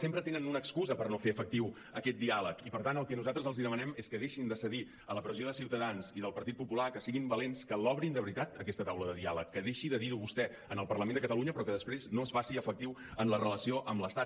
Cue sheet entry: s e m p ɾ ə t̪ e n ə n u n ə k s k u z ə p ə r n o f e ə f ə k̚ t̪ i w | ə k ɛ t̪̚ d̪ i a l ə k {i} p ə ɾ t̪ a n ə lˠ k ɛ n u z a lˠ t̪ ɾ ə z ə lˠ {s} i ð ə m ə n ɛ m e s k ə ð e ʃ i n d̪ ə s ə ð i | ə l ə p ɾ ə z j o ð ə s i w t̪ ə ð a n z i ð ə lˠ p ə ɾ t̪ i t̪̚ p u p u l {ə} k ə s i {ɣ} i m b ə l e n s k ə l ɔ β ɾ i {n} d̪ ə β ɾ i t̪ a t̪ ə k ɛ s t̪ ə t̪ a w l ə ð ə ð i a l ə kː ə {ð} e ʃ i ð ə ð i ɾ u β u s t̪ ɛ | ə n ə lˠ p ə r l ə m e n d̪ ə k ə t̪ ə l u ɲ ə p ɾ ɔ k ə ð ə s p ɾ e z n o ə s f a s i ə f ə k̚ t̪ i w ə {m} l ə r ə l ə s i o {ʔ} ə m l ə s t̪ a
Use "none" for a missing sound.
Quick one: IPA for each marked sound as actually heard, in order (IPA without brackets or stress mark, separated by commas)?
i, z, a, ɣ, n, ð, n, ʔ